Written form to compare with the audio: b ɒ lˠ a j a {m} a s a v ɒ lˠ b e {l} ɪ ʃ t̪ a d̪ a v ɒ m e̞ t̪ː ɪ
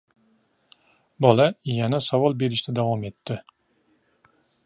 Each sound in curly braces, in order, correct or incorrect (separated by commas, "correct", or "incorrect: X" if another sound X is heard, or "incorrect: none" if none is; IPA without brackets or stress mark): incorrect: n, incorrect: ɾ